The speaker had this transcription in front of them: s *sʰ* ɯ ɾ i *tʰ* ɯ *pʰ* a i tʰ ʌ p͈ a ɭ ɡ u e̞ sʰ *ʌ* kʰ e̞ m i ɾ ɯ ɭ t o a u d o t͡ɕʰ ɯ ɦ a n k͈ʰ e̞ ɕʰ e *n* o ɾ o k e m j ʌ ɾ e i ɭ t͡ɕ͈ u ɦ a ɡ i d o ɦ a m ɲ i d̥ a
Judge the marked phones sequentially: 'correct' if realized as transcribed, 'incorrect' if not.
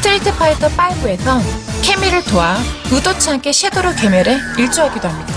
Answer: incorrect, correct, correct, correct, incorrect

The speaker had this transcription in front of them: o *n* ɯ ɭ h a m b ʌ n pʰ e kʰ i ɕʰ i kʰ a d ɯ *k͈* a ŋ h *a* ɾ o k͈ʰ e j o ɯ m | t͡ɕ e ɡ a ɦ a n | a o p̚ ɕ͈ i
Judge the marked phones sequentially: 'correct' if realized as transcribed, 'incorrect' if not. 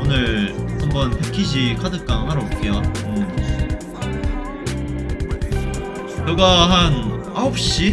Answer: correct, correct, correct

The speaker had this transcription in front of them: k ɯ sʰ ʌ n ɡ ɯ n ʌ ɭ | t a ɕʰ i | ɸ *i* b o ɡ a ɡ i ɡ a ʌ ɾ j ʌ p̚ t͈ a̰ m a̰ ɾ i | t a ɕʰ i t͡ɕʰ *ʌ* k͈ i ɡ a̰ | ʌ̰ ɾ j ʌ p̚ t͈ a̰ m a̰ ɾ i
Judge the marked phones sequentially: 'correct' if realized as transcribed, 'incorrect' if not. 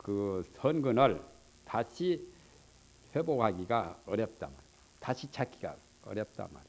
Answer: incorrect, incorrect

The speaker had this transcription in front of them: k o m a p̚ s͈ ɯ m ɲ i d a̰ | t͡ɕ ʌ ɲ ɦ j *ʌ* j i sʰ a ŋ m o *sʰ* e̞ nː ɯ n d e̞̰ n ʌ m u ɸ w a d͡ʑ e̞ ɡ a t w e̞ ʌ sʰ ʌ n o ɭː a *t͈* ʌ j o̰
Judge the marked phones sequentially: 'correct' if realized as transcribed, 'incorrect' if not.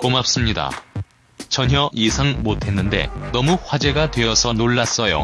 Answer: correct, incorrect, incorrect

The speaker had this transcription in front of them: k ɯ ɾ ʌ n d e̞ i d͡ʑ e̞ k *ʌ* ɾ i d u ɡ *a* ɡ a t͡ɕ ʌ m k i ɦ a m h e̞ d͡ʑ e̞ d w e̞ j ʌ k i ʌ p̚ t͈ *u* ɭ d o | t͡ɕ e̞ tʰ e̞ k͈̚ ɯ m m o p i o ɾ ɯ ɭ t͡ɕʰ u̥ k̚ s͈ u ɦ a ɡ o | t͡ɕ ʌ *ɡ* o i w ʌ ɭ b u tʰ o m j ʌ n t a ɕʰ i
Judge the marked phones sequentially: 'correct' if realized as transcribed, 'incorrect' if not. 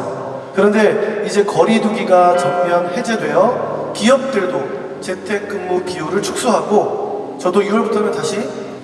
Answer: correct, incorrect, incorrect, incorrect

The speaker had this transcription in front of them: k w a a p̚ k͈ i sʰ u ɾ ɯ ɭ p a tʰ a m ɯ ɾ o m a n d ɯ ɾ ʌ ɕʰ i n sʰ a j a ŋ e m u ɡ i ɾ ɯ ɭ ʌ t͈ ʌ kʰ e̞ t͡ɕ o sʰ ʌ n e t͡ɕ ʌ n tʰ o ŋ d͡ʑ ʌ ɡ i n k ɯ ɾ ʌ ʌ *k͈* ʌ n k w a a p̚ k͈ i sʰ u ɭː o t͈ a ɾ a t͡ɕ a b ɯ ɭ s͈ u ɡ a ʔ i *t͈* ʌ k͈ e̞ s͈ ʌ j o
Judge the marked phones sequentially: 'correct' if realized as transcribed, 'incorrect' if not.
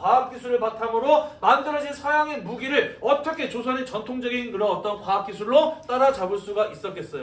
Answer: incorrect, incorrect

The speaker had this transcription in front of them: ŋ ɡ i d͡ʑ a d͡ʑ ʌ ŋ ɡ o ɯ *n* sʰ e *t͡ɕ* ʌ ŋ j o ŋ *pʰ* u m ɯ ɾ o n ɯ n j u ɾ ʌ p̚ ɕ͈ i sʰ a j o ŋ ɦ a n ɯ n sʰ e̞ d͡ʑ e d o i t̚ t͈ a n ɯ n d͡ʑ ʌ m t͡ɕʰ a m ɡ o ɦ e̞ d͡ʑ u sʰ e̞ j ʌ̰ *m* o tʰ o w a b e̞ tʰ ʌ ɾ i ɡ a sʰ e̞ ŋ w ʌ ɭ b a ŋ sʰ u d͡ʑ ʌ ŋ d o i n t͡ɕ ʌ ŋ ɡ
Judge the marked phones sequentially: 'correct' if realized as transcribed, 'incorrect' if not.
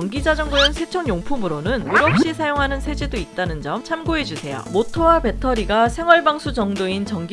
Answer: correct, incorrect, correct, correct

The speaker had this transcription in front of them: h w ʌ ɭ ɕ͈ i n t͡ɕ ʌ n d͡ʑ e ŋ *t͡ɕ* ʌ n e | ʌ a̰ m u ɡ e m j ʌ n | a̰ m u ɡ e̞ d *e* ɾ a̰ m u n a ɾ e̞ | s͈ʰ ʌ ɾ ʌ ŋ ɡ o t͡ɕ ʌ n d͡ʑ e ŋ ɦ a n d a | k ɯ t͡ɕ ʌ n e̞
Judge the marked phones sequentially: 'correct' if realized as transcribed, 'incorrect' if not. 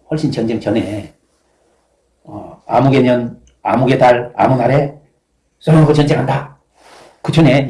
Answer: correct, incorrect

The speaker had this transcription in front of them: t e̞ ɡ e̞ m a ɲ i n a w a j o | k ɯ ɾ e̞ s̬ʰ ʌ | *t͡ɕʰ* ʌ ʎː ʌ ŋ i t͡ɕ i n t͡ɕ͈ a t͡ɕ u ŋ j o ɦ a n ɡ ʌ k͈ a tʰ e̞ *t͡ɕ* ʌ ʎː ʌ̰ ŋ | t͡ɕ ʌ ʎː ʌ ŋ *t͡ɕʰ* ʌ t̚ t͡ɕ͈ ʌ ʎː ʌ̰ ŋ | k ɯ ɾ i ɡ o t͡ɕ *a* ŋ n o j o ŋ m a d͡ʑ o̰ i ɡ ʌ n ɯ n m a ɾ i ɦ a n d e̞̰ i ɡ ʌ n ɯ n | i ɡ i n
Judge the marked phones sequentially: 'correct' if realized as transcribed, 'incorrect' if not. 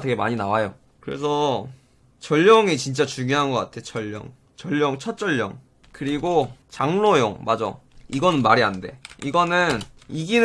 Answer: incorrect, correct, correct, correct

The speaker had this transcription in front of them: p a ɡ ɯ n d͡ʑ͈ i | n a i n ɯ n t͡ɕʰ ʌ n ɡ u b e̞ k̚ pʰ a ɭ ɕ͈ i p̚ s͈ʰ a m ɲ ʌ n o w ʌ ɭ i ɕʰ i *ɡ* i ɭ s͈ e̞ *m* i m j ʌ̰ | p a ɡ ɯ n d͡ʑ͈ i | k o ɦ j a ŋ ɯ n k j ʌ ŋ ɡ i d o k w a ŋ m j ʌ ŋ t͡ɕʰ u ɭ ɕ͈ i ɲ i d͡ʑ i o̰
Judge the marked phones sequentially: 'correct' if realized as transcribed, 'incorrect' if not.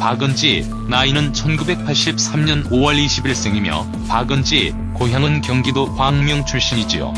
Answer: incorrect, incorrect

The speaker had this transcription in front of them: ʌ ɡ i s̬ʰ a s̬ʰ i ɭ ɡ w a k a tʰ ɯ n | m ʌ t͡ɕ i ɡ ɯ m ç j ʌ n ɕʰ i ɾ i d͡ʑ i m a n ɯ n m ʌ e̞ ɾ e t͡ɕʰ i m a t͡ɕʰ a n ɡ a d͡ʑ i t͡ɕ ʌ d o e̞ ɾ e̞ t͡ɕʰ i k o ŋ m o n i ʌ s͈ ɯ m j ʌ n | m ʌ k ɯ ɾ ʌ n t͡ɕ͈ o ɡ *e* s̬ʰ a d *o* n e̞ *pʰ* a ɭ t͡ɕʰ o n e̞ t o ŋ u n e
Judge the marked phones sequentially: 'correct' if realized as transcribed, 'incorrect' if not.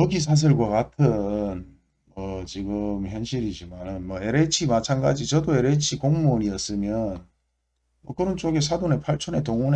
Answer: correct, correct, correct

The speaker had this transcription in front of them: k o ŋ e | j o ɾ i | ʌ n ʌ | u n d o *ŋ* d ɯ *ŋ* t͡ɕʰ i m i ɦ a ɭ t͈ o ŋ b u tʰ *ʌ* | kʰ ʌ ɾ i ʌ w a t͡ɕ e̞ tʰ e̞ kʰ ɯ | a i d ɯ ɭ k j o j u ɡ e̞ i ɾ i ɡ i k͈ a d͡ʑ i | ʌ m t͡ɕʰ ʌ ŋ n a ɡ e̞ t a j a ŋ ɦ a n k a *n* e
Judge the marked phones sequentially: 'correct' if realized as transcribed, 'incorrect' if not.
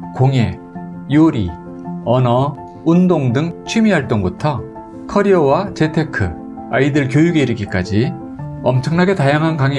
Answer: correct, correct, correct, incorrect

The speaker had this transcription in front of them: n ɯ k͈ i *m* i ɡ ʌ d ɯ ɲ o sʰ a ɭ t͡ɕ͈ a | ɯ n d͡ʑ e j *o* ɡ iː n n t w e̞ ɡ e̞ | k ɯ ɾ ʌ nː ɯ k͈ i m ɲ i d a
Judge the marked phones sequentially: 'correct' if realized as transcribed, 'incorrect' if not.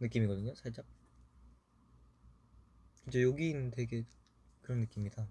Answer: correct, correct

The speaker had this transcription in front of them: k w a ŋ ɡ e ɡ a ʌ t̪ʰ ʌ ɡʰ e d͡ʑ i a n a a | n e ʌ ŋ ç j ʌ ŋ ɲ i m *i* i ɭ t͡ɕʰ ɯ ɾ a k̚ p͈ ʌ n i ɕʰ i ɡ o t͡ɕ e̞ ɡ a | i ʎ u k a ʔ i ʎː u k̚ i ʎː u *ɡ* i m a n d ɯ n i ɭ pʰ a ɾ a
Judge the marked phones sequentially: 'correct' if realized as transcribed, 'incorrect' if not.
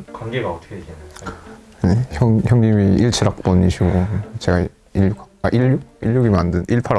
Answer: correct, correct

